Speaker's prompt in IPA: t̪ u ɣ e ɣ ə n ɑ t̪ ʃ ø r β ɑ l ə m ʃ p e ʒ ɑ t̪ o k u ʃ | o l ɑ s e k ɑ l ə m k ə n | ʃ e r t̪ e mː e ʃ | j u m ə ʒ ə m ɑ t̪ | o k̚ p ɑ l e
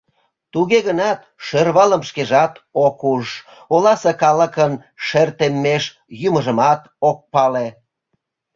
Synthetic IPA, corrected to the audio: t̪ u ɣ e ɣ ə n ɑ t̪ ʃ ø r β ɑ l ə m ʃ k e ʒ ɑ t̪ o k u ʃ | o l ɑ s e k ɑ l ə k ə n | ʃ e r t̪ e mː e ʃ | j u m ə ʒ ə m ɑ t̪ | o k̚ p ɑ l e